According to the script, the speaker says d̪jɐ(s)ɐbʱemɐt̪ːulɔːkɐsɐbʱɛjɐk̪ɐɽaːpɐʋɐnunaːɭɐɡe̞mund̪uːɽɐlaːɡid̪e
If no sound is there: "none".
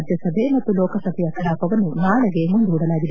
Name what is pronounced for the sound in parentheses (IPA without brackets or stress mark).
s